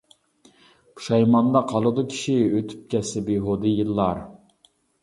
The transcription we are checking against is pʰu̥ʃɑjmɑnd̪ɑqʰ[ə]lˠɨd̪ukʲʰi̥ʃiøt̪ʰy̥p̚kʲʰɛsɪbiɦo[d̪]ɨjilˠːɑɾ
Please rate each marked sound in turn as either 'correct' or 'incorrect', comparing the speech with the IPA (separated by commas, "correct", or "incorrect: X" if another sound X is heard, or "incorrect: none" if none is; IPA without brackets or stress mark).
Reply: incorrect: ɑ, correct